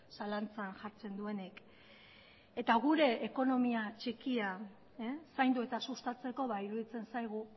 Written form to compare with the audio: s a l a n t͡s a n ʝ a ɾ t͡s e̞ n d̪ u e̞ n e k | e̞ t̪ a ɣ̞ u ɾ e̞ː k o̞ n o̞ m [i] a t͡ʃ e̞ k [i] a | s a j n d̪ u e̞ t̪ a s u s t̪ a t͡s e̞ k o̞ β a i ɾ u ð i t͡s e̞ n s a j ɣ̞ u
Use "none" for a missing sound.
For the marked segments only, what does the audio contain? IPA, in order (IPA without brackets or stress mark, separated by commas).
i, i